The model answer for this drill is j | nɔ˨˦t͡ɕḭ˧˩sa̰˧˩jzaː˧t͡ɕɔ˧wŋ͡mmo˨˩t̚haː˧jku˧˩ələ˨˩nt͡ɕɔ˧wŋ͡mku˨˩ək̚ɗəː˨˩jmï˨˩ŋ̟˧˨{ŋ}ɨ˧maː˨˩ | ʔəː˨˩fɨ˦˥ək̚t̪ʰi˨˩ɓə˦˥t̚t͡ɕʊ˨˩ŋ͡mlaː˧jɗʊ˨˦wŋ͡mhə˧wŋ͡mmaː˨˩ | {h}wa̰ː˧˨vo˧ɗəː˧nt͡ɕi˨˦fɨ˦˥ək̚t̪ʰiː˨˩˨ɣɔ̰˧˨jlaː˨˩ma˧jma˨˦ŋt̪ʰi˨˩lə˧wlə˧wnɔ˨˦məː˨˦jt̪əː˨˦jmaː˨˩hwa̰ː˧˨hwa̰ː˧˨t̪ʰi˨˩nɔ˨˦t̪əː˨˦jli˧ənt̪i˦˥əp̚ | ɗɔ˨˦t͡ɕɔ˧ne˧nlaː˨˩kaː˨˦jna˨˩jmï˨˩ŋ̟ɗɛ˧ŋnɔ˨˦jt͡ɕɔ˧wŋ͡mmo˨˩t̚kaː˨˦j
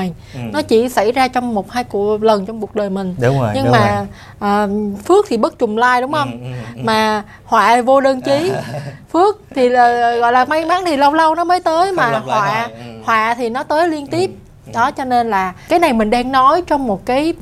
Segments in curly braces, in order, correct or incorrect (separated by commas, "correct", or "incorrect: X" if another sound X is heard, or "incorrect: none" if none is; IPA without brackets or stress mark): incorrect: ɲ, correct